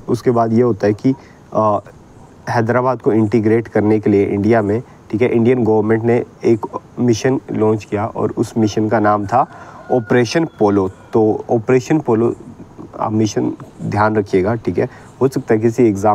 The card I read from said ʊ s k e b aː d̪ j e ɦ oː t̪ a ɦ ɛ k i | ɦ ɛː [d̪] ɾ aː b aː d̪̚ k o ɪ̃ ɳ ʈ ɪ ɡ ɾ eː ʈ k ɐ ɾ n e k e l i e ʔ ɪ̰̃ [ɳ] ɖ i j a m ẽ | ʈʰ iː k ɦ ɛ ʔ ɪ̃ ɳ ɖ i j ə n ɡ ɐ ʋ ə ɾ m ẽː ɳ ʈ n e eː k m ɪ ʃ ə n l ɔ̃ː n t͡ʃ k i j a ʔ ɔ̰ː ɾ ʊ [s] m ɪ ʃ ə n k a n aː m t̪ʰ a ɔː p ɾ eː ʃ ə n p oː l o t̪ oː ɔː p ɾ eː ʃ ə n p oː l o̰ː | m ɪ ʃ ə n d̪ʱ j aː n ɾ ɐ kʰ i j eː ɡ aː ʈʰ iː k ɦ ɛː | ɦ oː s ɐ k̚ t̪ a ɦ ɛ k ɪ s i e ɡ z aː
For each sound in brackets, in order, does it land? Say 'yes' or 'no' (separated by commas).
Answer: yes, yes, yes